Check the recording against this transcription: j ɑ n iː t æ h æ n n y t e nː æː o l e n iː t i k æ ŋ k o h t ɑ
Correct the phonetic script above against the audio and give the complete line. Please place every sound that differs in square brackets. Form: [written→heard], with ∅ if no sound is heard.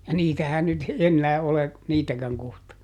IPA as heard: j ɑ n iː t æ h æ n n y t e nː æː o l e n iː t [i→æ] k æ ŋ k o h t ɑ